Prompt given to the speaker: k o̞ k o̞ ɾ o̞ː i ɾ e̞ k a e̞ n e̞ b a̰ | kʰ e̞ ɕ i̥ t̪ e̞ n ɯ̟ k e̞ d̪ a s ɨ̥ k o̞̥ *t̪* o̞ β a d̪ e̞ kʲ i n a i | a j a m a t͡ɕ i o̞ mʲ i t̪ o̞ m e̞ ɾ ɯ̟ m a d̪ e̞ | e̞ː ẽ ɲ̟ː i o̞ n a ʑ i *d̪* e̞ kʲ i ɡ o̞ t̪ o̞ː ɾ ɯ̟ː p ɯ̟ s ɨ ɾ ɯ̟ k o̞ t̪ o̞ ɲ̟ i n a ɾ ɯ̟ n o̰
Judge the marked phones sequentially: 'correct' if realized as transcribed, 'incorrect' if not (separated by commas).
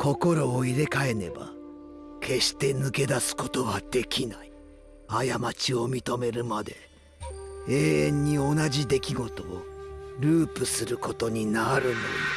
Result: correct, correct